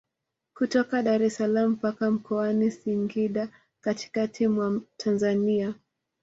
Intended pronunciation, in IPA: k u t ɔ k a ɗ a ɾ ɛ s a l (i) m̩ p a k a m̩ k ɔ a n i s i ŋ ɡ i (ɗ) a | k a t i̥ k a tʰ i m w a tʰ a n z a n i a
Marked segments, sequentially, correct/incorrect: incorrect: a, correct

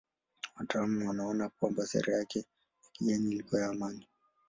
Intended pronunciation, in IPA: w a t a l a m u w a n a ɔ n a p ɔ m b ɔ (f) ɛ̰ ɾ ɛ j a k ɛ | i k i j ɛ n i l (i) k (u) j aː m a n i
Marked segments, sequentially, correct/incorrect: incorrect: s, correct, incorrect: ɔ

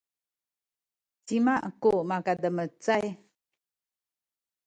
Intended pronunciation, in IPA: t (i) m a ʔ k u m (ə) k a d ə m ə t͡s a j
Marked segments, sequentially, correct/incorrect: correct, incorrect: a

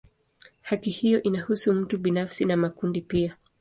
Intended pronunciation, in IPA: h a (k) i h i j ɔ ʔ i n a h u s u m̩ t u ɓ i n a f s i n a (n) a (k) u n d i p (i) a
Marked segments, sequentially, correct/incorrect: correct, incorrect: m, correct, correct

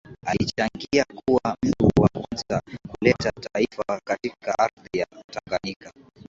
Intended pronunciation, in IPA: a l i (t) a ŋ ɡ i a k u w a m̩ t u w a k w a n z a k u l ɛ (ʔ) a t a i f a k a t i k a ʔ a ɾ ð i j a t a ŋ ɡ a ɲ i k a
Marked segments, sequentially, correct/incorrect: incorrect: t͡ʃ, incorrect: t

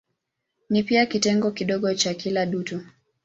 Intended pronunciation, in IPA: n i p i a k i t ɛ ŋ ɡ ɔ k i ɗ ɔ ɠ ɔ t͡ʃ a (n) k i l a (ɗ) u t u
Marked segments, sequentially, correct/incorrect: incorrect: none, correct

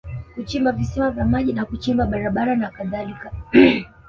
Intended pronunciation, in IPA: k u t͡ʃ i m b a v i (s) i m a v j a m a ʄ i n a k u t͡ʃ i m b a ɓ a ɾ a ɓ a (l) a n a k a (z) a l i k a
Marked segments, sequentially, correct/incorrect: correct, incorrect: ɾ, incorrect: ð

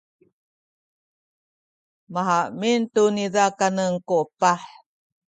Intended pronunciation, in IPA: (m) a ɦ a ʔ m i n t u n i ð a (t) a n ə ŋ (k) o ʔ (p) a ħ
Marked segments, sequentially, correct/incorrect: correct, incorrect: k, correct, correct

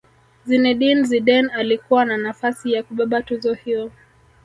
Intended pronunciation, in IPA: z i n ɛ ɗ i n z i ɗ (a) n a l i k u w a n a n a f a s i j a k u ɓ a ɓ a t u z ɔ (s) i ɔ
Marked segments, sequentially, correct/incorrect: incorrect: ɛ, incorrect: h

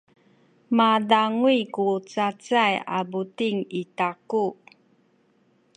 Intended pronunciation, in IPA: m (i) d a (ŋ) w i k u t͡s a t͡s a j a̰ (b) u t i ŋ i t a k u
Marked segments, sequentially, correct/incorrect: incorrect: a, correct, correct

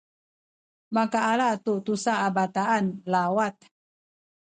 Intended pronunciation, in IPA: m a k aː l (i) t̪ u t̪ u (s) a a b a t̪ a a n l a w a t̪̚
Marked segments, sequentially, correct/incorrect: incorrect: a, correct

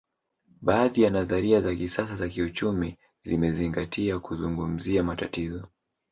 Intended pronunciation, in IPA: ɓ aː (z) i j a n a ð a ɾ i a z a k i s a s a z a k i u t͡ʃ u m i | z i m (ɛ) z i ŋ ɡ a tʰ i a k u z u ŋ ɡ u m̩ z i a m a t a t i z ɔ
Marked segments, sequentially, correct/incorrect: incorrect: ð, correct

